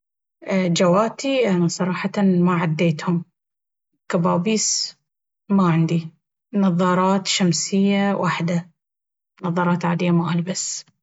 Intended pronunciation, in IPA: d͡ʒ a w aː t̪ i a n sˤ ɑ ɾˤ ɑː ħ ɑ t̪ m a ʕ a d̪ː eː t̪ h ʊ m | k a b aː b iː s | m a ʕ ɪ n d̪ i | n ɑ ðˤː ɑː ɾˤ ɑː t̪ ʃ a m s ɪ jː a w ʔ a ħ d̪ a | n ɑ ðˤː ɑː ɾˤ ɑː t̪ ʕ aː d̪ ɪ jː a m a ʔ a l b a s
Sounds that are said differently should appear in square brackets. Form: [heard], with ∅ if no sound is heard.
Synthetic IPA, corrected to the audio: d͡ʒ a w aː t̪ i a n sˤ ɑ ɾˤ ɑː ħ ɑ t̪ m a ʕ a d̪ː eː t̪ h ʊ m | k a b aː b iː s | m a ʕ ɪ n d̪ i | n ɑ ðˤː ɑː ɾˤ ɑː t̪ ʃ a m s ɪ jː a w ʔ a ħ d̪ a | n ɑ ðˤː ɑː ɾˤ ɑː t̪ ʕ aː d̪ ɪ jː a m a ʔ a l b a s

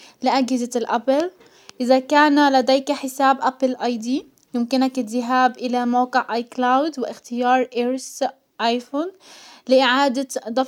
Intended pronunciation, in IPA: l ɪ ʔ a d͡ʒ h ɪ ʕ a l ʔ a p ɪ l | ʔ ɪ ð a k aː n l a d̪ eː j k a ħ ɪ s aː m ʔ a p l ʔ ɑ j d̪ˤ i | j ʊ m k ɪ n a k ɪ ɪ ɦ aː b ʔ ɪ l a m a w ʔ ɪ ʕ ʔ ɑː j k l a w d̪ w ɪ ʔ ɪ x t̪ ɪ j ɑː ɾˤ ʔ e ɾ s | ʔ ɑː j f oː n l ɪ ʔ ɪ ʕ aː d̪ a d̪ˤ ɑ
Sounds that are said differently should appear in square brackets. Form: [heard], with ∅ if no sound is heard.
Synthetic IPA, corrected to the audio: l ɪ ʔ a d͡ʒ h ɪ [z] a l ʔ a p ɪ l | ʔ ɪ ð a k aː n l a d̪ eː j k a ħ ɪ s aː [b] ʔ a p l ʔ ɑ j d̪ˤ i | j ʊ m k ɪ n a k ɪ ɪ ɦ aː b ʔ ɪ l a m a w [q] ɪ ʕ ʔ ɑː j k l a w d̪ w ɪ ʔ ɪ x t̪ ɪ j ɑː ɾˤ ʔ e ɾ s | ʔ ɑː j f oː n l ɪ ʔ ɪ ʕ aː d̪ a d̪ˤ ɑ

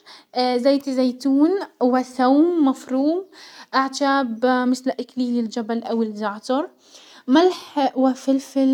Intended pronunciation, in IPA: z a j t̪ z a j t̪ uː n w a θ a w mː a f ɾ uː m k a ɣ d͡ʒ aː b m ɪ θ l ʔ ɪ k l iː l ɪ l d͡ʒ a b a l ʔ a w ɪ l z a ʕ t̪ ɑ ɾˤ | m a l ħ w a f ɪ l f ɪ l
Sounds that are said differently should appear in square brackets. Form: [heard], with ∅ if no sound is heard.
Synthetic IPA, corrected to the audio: z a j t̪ z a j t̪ uː n w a θ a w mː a f ɾ uː m [ʔ] a [ʕ] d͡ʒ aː b m ɪ θ l ʔ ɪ k l iː l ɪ l d͡ʒ a b a l ʔ a w ɪ l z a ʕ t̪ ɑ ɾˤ | m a l ħ w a f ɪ l f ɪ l

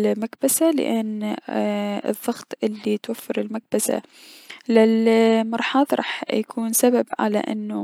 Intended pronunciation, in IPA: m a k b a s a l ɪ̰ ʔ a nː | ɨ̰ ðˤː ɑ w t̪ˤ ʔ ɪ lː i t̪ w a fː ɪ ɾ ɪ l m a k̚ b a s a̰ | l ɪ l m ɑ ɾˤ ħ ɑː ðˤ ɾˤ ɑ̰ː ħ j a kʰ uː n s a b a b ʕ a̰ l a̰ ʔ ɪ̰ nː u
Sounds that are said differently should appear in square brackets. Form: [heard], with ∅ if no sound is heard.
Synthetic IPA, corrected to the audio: m a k b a s a l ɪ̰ ʔ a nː | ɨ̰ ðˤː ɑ [ɣ] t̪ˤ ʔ ɪ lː i t̪ w a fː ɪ ɾ ɪ l m a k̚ b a s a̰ | l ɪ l m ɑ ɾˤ ħ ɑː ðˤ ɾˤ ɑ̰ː ħ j a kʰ uː n s a b a b ʕ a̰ l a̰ ʔ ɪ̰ nː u

